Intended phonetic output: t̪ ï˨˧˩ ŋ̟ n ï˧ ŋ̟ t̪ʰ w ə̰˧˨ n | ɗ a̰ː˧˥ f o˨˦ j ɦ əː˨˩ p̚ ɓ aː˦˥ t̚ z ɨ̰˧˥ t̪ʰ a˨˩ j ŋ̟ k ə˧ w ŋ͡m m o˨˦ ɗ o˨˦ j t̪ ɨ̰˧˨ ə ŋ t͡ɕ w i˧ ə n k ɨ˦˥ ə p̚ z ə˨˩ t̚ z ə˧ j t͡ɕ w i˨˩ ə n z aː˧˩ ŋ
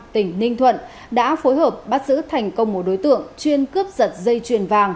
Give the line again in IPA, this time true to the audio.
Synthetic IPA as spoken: t̪ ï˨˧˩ ŋ̟ n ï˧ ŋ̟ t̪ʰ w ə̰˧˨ n | ɗ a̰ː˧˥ f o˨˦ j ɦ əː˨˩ p̚ ɓ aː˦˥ t̚ z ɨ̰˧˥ t̪ʰ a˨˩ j ŋ̟ k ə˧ w ŋ͡m m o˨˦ ɗ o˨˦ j t̪ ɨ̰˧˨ ə ŋ t͡ɕ w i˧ ə n k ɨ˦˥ ə p̚ z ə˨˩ t̚ z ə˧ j t͡ɕ w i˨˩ ə n v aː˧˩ ŋ